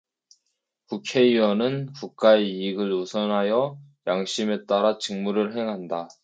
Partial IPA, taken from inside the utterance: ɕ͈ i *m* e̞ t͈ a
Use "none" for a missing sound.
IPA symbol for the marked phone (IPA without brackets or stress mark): m